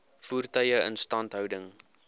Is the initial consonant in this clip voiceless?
yes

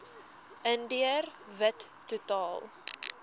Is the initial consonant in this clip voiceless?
no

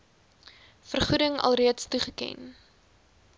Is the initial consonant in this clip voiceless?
yes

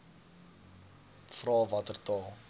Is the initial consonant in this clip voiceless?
yes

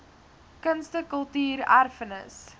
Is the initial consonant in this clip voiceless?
yes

